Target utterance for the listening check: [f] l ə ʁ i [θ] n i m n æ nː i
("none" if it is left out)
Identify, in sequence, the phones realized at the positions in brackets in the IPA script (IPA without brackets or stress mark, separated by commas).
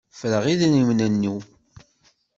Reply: f, ð